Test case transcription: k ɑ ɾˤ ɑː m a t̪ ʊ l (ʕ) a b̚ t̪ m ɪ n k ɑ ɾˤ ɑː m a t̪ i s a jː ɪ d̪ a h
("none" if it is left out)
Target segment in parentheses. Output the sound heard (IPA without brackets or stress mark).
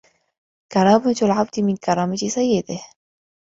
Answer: ʕ